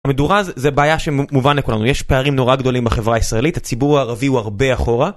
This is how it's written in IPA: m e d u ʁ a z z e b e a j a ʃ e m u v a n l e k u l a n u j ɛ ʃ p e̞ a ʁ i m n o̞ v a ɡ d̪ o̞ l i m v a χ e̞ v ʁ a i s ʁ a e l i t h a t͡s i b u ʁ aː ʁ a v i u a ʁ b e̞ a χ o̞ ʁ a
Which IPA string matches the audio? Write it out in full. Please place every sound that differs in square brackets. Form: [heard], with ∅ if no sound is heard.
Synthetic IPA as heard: m e d u ʁ a z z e b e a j a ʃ e m u v a n l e k u l a n u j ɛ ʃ p e̞ a ʁ i m n o̞ [ʁ] a ɡ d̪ o̞ l i m [b] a χ e̞ v ʁ a i s ʁ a e l i t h a t͡s i b u ʁ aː ʁ a v i u a ʁ b e̞ a χ o̞ ʁ a